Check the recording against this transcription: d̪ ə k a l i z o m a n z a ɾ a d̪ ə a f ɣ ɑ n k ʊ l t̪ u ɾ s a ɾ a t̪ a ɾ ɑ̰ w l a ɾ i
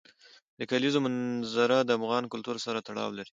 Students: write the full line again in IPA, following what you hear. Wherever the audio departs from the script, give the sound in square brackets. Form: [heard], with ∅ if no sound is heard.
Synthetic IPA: d̪ ə k a l i z o m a n z a ɾ a d̪ ə a f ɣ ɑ n k ʊ l t̪ u ɾ s a ɾ a t̪ a [ɽ] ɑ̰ w l a ɾ i